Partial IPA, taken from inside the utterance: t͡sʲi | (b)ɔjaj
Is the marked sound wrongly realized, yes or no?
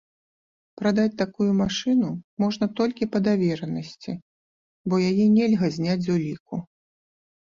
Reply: no